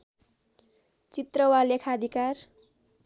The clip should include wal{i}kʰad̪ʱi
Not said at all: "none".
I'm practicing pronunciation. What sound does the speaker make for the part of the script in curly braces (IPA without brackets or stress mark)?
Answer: e